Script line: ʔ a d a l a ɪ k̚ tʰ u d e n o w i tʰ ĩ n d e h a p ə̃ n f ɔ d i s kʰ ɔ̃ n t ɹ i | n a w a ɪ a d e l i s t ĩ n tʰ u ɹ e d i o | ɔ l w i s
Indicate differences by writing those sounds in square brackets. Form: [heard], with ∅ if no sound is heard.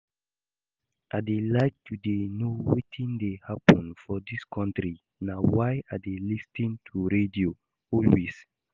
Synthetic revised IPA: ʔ a d [e] l a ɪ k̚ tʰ u d e n o w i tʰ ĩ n d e h a p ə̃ n f ɔ d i s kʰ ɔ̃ n t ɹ i | n a w a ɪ a d e l i s t ĩ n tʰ u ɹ e d i o | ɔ l w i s